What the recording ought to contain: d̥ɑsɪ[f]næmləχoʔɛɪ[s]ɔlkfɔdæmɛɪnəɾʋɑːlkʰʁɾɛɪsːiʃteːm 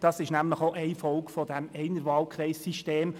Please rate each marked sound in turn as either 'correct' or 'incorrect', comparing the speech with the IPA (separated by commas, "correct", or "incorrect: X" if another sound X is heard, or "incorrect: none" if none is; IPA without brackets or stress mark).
incorrect: ʃ, incorrect: f